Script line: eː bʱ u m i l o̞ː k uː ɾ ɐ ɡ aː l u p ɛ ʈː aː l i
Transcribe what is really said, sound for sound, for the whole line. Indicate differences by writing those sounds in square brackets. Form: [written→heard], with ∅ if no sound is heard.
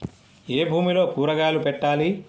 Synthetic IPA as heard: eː bʱ [u→uː] m i l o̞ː [k→p] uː ɾ ɐ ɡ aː l u p ɛ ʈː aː l i